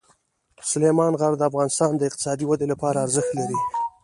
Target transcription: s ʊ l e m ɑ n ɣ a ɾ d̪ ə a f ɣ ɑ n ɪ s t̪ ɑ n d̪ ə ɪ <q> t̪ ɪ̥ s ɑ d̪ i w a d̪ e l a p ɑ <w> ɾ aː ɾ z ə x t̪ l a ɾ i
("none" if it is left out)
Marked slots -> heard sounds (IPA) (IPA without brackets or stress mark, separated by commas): q, none